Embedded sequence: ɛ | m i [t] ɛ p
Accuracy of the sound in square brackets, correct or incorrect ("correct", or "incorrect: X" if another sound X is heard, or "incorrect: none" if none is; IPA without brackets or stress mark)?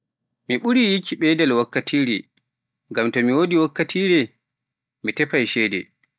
correct